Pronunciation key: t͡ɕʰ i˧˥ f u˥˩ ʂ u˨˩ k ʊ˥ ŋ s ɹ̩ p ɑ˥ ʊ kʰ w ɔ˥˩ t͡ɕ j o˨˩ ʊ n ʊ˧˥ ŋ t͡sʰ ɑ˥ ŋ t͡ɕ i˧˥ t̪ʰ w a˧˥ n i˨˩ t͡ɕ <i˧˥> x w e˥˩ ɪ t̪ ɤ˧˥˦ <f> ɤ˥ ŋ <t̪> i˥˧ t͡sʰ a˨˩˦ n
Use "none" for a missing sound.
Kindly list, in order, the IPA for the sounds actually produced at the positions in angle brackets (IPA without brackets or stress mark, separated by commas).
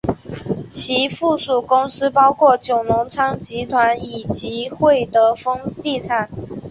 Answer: i˧˥, f, t̪